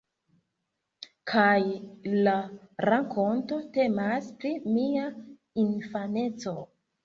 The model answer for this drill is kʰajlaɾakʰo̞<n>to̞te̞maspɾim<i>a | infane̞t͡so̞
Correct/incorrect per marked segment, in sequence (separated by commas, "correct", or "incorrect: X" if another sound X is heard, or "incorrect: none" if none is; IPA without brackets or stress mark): correct, correct